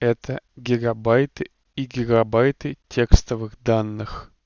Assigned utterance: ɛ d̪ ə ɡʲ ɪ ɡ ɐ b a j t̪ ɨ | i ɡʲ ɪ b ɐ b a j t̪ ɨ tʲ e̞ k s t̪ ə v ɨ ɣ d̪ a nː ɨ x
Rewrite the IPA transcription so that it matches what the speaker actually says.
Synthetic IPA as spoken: ɛ t̪ ə ɡʲ ɪ ɡ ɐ b a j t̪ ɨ | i ɡʲ ɪ ɡ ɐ b a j t̪ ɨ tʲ e̞ k s t̪ ə v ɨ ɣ d̪ a nː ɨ x

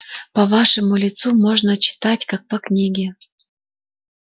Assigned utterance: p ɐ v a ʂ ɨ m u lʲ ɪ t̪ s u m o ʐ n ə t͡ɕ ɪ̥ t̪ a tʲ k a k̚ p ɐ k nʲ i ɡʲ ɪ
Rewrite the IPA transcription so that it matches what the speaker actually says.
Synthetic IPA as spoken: p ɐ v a ʂ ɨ m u lʲ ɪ t̪ s u m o ʐ n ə t͡ɕ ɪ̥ t̪ a tʲ k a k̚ p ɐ k nʲ i ɡʲ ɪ

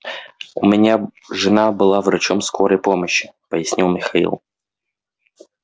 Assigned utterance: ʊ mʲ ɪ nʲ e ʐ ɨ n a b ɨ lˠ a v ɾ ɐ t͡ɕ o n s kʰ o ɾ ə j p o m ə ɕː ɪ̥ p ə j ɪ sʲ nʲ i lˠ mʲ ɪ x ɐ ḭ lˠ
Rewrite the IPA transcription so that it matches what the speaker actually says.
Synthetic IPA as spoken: ʊ mʲ ɪ nʲ a ʐ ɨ n a b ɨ lˠ a v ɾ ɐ t͡ɕ o m s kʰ o ɾ ə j p o m ə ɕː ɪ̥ p ə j ɪ sʲ nʲ i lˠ mʲ ɪ x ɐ ḭ lˠ

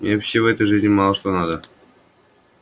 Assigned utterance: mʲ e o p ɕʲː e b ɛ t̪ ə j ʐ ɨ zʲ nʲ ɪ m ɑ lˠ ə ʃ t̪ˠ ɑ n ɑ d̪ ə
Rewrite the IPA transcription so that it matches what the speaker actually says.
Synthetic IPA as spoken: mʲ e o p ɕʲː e v ɛ t̪ ə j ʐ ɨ zʲ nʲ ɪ m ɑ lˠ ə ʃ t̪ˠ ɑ n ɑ d̪ ə

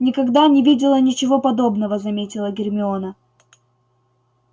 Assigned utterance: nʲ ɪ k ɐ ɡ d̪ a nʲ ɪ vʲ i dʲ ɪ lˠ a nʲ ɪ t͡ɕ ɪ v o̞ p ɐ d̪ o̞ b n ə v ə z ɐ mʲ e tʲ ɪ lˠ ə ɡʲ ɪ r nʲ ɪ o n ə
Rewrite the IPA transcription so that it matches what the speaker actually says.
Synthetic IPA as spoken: nʲ ɪ k ɐ ɡ d̪ a nʲ ɪ vʲ i dʲ ɪ lˠ ə nʲ ɪ t͡ɕ ɪ v o̞ p ɐ d̪ o̞ b n ə v ə z ɐ mʲ e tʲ ɪ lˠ ə ɡʲ ɪ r mʲ ɪ o n ə

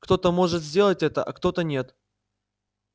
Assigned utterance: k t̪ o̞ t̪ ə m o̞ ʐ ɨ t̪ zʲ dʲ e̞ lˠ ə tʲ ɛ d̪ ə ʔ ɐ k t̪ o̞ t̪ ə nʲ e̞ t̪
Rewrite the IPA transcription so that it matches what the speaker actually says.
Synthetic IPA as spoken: k t̪ o̞ t̪ ə m o̞ ʐ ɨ t̪ zʲ dʲ e̞ lˠ ə tʲ ɛ t̪ ə ʔ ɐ k t̪ o̞ t̪ ə nʲ e̞ t̪

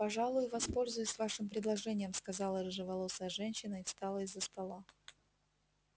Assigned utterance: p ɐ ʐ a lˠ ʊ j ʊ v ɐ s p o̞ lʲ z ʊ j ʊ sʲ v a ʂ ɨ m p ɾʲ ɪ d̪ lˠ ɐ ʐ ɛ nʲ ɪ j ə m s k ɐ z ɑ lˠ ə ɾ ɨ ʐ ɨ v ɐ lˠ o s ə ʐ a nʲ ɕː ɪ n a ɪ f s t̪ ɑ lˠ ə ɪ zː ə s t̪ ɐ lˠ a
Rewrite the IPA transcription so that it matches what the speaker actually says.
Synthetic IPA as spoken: p ɐ ʐ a lˠ ʊ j ʊ v ɐ s p o̞ lʲ z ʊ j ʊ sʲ v a ʂ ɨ m p ɾʲ ɪ d̪ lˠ ɐ ʐ ɛ nʲ ɪ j ə m s k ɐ z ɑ lˠ ə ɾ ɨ ʐ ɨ v ɐ lˠ o s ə ʐ ɛ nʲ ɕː ɪ n ə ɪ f s t̪ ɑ lˠ ə ɪ zː ə s t̪ ɐ lˠ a

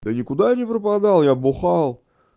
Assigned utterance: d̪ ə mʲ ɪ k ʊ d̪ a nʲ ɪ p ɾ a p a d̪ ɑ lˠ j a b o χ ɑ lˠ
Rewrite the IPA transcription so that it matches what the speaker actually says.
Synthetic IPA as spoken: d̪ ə nʲ ɪ k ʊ d̪ a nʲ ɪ p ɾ ə p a d̪ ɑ lˠ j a b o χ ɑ lˠ

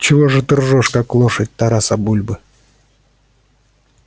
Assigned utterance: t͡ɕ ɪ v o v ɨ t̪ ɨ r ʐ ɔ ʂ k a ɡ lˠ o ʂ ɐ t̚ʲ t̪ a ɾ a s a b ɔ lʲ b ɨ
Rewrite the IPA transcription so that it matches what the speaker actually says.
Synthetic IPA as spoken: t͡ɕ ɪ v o ʐ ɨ t̪ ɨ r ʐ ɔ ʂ k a k lˠ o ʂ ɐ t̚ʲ t̪ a ɾ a s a b u lʲ b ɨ

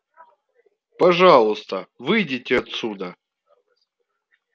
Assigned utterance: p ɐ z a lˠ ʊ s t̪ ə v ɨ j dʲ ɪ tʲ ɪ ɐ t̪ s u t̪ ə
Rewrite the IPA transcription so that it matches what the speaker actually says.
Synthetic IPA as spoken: p ɐ ʐ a lˠ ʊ s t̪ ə v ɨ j dʲ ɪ tʲ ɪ ɐ t̪ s u d̪ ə

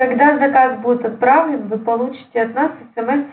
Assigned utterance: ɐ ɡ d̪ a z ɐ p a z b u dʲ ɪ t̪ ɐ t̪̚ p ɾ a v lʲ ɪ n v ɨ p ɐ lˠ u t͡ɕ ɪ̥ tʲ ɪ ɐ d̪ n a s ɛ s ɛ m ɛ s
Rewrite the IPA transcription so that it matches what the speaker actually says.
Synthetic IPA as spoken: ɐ ɡ d̪ a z ɐ k a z b u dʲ ɪ t̪ ɐ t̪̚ p ɾ a v lʲ ɪ n v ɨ p ɐ lˠ u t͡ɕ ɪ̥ tʲ ɪ ɐ t̪ n a s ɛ s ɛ m ɛ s

